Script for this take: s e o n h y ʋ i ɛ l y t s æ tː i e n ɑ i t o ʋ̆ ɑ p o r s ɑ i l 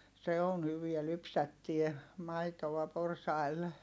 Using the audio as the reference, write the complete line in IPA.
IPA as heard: s e o n h y ʋ i æ l y p s æ tː i e m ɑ i t o ʋ̆ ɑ p o r s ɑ i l